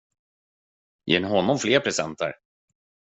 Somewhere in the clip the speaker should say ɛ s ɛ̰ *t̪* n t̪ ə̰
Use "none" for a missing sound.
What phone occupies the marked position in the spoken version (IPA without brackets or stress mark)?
none